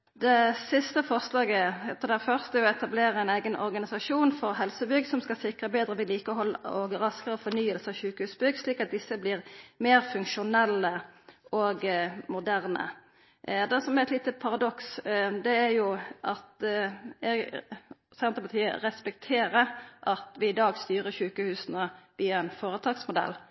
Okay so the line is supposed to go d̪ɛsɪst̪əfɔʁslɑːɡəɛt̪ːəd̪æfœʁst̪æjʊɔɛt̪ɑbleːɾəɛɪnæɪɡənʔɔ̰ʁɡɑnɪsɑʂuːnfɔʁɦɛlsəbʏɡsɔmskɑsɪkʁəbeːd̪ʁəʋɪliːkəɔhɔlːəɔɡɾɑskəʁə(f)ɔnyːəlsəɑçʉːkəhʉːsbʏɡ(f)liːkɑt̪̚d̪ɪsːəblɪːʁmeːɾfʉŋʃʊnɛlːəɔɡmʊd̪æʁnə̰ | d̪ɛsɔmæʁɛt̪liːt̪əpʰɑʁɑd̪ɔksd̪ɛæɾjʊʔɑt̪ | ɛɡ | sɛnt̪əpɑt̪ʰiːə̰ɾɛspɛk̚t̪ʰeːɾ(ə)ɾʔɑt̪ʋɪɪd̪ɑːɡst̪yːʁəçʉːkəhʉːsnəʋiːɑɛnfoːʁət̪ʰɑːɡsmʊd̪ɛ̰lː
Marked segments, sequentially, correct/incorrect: correct, incorrect, correct

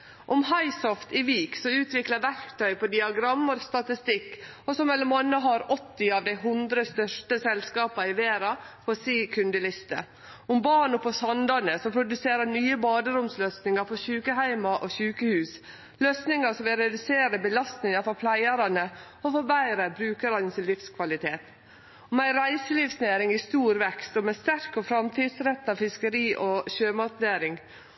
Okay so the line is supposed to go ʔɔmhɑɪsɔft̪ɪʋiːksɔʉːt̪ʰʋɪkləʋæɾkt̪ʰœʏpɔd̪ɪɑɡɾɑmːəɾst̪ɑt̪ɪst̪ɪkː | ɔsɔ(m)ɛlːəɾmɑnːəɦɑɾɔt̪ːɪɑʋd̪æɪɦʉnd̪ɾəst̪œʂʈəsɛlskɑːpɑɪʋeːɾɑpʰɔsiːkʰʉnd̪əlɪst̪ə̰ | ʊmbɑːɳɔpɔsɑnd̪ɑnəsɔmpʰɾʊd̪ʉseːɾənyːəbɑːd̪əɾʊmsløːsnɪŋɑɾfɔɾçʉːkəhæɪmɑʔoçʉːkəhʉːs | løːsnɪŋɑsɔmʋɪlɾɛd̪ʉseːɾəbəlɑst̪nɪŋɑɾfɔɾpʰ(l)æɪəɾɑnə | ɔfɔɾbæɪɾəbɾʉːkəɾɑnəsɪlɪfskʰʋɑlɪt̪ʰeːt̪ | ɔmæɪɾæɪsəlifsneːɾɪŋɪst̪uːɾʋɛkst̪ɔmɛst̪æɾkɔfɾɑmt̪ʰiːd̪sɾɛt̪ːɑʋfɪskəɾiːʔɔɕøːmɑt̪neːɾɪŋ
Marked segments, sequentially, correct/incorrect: correct, correct

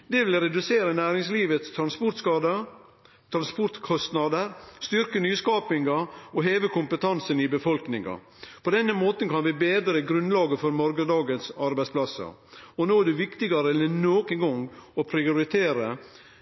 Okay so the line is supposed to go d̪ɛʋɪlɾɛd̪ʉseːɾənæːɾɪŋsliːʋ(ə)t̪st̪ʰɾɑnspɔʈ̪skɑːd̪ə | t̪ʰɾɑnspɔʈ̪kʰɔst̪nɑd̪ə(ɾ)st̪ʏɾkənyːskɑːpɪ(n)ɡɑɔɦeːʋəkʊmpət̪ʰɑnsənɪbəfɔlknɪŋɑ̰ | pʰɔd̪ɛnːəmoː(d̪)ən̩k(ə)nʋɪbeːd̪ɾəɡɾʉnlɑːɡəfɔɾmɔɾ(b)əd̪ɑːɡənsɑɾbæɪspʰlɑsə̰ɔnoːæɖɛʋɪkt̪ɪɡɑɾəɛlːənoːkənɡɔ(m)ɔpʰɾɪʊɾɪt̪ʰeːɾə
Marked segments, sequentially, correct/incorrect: correct, correct, incorrect, incorrect, incorrect, incorrect, incorrect

